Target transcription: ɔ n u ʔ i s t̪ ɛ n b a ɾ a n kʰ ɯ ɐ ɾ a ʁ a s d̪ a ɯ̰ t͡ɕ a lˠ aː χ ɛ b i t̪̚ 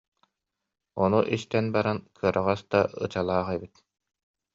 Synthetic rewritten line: ɔ n u ʔ i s t̪ ɛ n b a ɾ a n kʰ ɯ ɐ ɾ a ʁ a s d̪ a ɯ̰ t͡ɕ a lˠ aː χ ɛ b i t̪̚